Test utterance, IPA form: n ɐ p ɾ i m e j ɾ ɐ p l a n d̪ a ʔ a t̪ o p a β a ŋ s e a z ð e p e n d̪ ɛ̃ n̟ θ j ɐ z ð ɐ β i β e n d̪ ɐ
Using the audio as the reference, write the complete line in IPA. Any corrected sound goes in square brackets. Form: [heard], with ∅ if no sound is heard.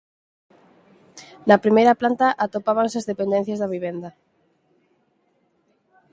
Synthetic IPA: n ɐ p ɾ i m e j ɾ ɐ p l a n [t̪] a ʔ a t̪ o p a β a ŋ s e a z ð e p e n d̪ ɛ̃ n̟ θ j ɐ z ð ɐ β i β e n d̪ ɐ